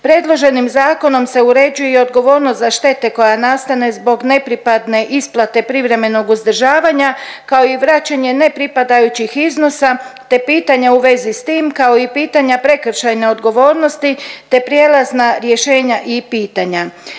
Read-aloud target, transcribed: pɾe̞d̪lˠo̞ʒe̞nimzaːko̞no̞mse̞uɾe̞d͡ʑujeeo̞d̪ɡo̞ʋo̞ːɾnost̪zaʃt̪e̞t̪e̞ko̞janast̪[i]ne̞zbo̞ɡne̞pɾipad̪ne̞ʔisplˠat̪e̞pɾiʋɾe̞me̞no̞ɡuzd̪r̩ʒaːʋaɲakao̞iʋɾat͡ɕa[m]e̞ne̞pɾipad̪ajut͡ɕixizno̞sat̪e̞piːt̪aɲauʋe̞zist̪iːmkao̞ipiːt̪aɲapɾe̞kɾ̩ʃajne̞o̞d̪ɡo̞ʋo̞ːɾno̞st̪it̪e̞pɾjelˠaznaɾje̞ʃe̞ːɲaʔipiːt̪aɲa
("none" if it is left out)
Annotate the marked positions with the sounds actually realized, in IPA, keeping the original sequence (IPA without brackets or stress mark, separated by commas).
a, ɲ